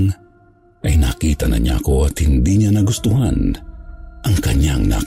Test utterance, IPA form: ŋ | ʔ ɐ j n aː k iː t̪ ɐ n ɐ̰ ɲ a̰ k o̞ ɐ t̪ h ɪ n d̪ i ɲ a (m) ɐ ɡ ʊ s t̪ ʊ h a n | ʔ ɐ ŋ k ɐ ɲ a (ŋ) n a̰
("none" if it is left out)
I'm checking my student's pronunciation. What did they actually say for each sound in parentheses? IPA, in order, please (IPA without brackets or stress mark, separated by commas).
n, ŋ